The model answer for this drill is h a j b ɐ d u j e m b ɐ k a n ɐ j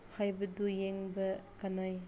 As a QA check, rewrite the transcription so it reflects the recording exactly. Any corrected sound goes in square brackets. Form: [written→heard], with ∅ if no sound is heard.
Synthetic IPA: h a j b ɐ d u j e [m→ŋ] b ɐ k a n [ɐ→a] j